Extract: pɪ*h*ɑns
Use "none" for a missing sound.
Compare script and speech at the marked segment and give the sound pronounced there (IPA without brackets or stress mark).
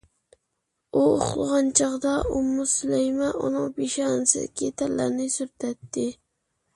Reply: ʃ